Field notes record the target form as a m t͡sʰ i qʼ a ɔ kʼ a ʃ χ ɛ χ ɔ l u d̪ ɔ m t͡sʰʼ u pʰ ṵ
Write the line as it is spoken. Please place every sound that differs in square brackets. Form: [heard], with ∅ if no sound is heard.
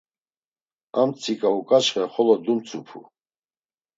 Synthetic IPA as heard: a m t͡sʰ i [kʼ] a [u] kʼ a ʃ χ ɛ χ ɔ l [ɔ] d̪ [u] m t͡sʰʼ u pʰ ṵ